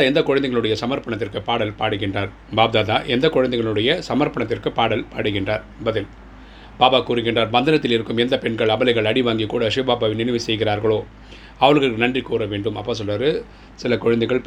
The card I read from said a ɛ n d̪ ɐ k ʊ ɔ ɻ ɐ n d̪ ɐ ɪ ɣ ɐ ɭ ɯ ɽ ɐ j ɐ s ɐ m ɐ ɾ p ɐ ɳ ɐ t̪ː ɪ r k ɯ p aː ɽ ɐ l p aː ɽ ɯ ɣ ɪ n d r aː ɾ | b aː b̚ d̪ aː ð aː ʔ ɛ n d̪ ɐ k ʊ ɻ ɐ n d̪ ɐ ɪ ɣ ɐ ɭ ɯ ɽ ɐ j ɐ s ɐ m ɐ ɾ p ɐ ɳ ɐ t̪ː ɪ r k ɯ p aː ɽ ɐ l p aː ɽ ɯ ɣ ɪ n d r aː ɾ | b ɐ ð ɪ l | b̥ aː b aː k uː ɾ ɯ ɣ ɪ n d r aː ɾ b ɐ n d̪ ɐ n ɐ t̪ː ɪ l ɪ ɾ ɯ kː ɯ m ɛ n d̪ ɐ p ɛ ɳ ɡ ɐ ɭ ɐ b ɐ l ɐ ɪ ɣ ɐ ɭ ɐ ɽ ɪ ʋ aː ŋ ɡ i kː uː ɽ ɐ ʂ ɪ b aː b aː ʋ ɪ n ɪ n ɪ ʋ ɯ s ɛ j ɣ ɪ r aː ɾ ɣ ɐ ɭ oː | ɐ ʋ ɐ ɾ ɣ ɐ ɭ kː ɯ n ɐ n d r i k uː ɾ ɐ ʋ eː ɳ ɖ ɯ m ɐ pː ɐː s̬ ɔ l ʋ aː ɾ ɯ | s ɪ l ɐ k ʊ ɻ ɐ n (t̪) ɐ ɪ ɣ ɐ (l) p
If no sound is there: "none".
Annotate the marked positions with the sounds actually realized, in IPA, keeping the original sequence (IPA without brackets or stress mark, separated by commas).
d̪, ɭ